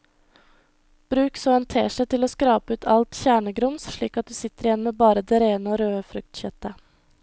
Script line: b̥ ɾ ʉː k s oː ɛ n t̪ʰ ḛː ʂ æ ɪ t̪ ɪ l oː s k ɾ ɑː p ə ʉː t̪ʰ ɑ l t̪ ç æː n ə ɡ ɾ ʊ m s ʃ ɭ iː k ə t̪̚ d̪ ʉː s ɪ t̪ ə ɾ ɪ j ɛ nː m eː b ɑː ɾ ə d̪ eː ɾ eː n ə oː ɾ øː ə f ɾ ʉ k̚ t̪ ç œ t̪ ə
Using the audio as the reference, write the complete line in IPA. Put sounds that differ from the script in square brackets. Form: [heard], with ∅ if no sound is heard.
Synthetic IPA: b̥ ɾ ʉː k s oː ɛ n t̪ʰ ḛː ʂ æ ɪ t̪ ɪ l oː s k ɾ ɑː p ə ʉː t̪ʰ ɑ l t̪ ç æː [ɳ] ə ɡ ɾ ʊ m s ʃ ɭ iː k [ɑ] t̪̚ d̪ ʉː s ɪ t̪ ə ɾ ɪ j ɛ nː m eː b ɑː ɾ ə d̪ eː ɾ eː n ə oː ɾ øː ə f ɾ ʉ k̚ t̪ ç œ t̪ ə